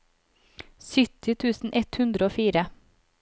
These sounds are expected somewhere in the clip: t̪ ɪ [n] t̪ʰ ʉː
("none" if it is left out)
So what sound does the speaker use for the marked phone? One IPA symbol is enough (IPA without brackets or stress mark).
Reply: none